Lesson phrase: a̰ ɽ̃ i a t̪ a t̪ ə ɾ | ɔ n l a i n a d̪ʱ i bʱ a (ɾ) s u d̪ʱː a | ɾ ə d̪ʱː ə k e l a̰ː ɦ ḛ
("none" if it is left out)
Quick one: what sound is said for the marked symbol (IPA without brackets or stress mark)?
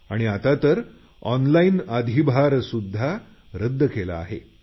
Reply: ɾ